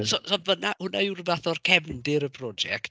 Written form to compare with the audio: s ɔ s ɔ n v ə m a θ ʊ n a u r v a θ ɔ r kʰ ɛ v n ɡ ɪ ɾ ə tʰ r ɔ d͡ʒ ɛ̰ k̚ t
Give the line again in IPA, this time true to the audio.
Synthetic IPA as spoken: s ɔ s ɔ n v ə n a h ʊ n a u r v a θ ɔ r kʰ ɛ v n d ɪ ɾ ə pʰ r ɔ d͡ʒ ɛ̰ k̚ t